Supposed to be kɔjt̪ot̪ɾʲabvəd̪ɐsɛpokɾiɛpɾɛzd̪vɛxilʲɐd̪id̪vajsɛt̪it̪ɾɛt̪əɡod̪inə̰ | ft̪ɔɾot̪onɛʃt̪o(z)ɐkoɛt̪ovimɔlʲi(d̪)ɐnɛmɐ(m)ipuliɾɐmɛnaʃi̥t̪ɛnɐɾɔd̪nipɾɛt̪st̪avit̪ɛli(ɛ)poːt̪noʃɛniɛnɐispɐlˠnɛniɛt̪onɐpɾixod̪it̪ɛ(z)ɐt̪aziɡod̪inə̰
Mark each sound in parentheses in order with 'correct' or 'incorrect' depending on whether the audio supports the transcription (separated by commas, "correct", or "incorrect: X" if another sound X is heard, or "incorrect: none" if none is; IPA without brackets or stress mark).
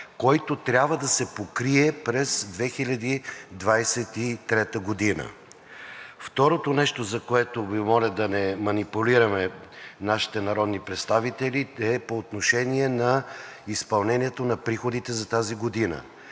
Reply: correct, correct, incorrect: n, correct, correct